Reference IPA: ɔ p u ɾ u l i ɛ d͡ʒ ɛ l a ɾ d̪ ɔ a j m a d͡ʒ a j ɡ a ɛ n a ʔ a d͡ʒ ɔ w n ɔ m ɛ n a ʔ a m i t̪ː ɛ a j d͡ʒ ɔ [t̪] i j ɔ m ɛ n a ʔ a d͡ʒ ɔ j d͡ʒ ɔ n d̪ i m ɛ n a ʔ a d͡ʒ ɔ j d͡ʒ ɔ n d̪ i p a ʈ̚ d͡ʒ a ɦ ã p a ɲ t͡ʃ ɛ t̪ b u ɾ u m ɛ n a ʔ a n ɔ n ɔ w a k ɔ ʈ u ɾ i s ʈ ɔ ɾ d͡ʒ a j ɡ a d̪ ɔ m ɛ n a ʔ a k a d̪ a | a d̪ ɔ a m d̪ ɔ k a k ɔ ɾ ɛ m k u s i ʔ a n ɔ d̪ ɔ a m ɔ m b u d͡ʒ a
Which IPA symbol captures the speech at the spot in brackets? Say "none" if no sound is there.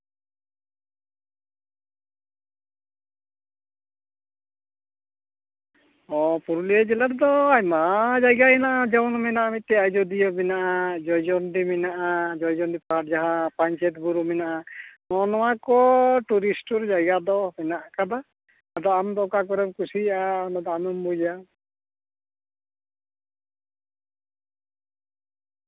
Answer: d̪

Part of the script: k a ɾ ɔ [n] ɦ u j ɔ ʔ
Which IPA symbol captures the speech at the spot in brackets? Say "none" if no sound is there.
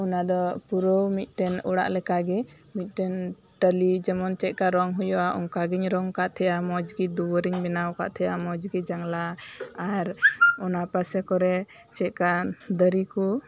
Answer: ŋ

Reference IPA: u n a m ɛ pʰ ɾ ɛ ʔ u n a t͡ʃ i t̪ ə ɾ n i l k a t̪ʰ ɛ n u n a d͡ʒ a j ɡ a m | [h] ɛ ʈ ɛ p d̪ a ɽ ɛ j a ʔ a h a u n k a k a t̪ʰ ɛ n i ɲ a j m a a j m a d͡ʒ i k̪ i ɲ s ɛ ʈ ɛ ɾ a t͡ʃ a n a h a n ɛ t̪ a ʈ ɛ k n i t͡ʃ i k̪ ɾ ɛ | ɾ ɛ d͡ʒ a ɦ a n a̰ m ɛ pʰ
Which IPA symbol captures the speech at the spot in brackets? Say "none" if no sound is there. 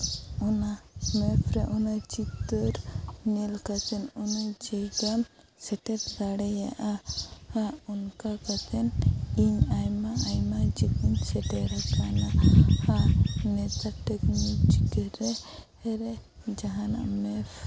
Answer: s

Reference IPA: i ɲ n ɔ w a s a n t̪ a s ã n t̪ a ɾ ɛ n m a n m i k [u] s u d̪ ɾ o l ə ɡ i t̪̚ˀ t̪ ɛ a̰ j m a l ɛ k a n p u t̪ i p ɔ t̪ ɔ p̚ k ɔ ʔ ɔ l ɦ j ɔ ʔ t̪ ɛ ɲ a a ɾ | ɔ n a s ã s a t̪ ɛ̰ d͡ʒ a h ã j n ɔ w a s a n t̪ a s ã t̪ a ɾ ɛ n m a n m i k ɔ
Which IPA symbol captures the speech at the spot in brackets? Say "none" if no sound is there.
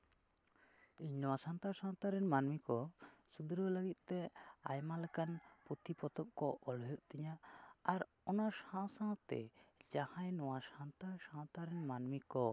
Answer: ɔ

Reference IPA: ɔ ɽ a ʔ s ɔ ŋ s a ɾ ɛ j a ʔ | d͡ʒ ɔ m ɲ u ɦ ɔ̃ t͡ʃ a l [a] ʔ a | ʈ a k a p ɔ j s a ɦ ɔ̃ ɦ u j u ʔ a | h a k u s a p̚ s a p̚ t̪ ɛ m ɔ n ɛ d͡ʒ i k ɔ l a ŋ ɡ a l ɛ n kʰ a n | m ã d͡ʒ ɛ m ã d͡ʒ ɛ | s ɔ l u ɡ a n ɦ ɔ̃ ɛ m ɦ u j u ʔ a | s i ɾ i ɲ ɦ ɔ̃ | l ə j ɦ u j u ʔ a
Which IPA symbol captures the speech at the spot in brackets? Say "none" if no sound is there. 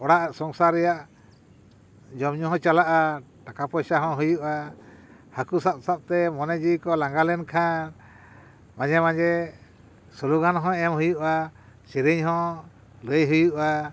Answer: a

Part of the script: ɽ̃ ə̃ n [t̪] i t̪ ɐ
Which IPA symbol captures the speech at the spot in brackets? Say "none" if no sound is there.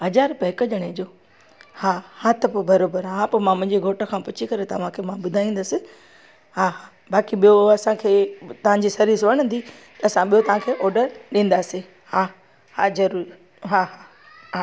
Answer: d̪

